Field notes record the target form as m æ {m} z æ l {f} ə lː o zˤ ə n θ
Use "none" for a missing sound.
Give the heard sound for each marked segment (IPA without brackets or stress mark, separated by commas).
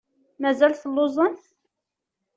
none, θ